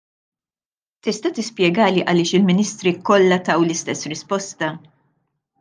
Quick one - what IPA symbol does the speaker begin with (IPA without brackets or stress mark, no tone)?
t̪